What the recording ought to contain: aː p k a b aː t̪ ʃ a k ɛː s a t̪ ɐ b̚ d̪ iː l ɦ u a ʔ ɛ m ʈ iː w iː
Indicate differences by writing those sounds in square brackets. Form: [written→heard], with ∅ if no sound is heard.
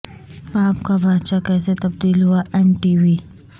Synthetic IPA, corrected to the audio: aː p k a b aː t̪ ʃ a k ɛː s [a→e] t̪ ɐ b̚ d̪ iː l ɦ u a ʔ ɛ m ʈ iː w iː